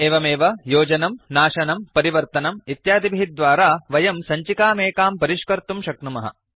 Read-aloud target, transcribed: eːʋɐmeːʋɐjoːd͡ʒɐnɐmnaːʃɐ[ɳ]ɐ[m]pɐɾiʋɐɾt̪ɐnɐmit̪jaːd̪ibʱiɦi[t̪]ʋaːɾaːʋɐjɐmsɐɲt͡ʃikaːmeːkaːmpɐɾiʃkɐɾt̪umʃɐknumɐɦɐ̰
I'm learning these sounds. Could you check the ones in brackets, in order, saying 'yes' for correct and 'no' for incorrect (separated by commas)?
no, yes, no